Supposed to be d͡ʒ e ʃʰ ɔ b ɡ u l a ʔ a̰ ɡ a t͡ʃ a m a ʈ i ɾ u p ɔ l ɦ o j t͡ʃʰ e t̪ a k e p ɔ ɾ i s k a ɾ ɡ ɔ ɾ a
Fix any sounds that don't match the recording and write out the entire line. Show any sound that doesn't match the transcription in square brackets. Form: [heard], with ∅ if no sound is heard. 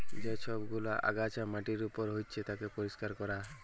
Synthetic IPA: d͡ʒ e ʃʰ ɔ b ɡ u l a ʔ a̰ ɡ a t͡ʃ a m a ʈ i ɾ u p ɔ [ɾ] ɦ o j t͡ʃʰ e t̪ a k e p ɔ ɾ i s k a ɾ [k] ɔ ɾ a